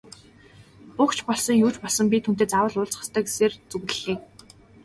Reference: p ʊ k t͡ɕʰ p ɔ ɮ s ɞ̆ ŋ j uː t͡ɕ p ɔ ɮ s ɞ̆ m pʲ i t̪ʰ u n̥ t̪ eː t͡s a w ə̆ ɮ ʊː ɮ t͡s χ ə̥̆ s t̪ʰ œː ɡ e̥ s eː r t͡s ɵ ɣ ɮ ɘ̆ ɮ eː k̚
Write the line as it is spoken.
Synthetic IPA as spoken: p ʊ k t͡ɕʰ p ɔ ɮ s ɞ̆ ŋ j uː t͡ɕ p ɔ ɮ s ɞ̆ m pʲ i t̪ʰ u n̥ t̪ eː t͡s a w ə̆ ɮ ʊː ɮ t͡s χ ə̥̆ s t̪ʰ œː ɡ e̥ s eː r t͡s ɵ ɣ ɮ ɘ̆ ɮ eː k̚